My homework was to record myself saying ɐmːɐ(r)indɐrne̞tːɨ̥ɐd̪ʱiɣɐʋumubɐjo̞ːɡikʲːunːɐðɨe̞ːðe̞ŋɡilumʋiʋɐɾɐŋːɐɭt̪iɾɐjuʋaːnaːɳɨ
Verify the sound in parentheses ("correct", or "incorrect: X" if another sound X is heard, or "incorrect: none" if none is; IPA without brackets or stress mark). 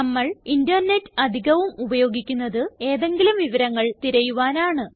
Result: incorrect: ɭ